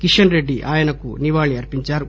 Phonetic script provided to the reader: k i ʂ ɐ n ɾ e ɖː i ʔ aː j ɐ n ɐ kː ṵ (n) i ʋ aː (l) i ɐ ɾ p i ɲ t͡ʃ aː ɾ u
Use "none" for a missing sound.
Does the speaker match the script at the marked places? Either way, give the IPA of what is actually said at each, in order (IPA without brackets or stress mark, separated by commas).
n, ɭ